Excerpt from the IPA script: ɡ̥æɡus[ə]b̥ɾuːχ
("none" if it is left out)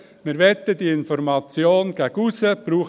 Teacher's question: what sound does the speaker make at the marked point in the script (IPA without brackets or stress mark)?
ə